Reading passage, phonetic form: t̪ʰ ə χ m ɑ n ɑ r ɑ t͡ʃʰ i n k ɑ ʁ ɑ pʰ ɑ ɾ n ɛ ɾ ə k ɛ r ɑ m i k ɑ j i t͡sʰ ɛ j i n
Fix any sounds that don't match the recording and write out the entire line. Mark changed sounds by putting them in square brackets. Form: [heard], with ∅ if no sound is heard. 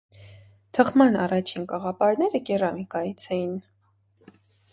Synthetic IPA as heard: t̪ʰ ə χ m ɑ n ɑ r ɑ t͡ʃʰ i n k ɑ ʁ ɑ [p] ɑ ɾ n ɛ ɾ ə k ɛ r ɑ m i k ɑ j i t͡sʰ ɛ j i n